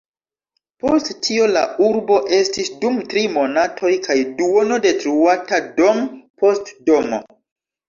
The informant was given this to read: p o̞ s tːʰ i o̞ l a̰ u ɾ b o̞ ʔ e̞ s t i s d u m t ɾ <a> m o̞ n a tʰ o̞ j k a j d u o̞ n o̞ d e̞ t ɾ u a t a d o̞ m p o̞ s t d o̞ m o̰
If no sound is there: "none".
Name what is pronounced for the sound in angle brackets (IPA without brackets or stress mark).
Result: i